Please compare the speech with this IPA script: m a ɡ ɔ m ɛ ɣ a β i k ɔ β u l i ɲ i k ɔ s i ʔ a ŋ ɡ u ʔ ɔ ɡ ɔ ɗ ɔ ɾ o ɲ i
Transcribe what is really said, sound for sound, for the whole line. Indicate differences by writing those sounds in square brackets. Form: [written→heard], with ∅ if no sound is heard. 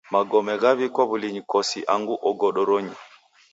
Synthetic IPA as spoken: m a ɡ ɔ m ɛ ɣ a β i k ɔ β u l i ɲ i k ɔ s i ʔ a ŋ ɡ u ʔ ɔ ɡ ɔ ɗ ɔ ɾ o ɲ i